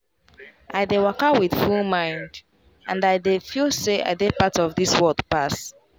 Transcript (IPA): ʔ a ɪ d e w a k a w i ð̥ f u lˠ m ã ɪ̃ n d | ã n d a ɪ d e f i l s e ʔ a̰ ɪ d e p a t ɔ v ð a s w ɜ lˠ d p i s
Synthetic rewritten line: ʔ a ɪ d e w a k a w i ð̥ f u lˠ m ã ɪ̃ n d | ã n d a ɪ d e f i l s e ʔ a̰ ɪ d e p a t ɔ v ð i s w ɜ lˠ d p a s